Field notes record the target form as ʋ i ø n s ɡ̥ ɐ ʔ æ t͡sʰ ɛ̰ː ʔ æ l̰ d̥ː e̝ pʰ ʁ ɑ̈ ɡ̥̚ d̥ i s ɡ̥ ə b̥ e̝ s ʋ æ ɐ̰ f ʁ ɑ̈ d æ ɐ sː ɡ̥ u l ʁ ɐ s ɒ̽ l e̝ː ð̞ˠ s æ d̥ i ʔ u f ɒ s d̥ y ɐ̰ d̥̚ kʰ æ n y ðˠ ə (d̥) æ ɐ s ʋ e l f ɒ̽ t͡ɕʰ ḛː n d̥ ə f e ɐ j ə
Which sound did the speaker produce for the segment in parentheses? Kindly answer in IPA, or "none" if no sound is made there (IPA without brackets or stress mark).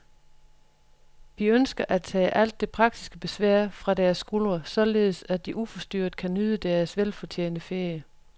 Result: d̥